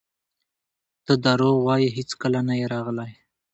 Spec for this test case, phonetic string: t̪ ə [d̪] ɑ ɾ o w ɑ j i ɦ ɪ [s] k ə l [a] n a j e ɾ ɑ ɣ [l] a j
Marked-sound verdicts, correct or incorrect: correct, incorrect, correct, correct

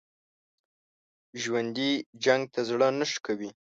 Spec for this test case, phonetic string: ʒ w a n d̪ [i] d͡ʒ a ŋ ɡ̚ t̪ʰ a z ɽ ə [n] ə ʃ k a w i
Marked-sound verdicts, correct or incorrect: correct, correct

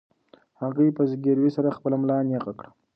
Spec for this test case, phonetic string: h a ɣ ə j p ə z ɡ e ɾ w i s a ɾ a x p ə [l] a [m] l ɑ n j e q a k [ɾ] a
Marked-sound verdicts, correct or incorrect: correct, correct, incorrect

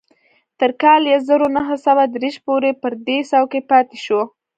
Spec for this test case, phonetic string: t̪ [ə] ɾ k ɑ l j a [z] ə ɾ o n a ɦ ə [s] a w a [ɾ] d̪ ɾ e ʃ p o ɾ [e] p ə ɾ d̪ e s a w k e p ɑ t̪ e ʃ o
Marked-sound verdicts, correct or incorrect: correct, correct, correct, incorrect, correct

